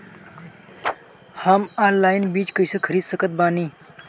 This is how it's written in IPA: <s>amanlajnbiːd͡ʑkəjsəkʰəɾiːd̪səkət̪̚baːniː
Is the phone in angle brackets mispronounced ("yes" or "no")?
yes